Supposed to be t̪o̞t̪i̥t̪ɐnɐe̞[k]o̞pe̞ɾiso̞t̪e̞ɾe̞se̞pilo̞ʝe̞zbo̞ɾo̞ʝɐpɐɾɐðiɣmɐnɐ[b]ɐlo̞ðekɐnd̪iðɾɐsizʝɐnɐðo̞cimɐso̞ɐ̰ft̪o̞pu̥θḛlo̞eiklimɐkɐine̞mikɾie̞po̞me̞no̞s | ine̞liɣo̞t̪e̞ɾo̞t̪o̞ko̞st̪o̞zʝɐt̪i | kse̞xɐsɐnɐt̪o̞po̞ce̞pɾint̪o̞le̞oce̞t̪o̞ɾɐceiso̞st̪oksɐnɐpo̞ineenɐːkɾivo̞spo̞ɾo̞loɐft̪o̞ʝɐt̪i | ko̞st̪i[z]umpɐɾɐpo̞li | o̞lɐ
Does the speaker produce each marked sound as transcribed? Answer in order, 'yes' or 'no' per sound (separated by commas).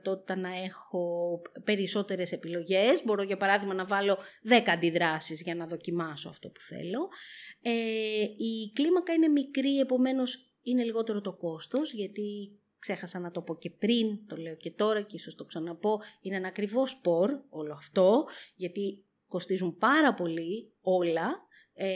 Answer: no, no, yes